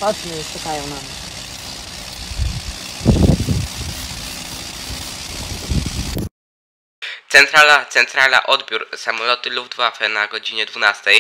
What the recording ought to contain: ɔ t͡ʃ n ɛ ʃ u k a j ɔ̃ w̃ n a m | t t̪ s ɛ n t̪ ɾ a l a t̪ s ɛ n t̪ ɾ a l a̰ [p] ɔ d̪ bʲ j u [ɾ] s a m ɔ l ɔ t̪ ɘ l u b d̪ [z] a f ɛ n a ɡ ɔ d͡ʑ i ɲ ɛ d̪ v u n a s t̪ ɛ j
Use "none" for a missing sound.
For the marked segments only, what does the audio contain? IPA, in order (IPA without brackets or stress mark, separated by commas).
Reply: ʔ, ɾ, v